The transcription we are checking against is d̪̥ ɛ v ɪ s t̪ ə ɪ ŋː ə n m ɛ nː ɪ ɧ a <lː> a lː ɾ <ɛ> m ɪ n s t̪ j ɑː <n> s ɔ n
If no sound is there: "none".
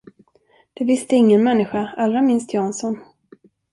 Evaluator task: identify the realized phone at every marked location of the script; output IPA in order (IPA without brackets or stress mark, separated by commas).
none, a, n